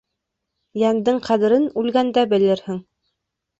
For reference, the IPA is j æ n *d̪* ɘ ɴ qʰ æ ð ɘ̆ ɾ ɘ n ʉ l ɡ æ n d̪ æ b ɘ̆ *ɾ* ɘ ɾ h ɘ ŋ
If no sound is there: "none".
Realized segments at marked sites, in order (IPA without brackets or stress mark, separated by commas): d̪, l